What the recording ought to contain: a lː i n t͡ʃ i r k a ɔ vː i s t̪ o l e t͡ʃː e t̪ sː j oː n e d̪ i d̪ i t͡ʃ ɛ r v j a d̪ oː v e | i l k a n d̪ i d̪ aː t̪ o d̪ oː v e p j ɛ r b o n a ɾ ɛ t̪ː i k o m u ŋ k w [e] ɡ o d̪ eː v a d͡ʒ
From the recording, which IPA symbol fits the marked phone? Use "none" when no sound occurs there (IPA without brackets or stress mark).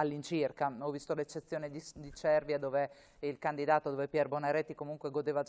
e